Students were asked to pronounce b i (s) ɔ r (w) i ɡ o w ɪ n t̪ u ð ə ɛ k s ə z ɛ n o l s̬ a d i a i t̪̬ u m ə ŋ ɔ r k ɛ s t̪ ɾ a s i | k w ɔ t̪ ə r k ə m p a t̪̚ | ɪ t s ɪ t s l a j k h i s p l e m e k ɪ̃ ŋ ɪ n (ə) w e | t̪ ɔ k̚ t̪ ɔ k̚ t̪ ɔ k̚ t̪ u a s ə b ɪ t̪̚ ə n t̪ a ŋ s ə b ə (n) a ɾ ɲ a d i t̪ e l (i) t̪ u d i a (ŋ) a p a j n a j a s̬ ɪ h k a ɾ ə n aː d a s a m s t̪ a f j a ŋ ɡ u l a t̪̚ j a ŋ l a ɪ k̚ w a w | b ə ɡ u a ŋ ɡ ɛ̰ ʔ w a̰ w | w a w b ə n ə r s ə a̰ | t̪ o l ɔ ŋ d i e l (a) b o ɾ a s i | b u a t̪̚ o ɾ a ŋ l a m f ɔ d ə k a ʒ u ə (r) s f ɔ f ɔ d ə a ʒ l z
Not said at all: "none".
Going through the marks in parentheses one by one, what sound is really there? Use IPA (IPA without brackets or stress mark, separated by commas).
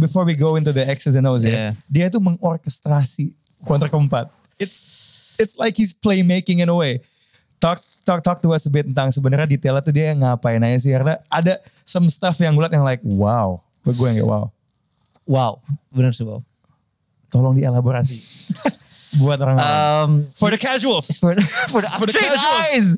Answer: f, w, ə, n, a, ŋ, a, l